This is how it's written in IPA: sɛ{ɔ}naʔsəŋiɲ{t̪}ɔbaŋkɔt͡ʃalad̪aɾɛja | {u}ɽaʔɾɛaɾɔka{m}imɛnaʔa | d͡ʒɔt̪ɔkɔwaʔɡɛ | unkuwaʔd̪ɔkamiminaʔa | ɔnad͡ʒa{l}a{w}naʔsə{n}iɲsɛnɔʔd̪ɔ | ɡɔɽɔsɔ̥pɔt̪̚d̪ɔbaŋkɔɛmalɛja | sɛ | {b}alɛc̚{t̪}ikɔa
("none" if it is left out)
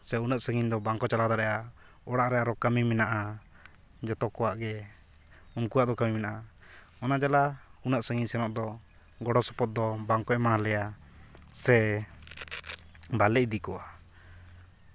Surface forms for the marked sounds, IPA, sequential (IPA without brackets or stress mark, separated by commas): u, d̪, ɔ, m, l, u, ŋ, b, d̪